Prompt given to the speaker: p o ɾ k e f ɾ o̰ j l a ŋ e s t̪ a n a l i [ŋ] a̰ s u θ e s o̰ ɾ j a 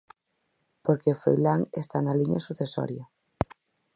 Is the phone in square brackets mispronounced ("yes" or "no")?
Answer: yes